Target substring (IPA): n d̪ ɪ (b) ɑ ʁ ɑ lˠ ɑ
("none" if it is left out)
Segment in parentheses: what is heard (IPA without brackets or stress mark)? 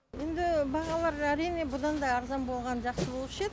b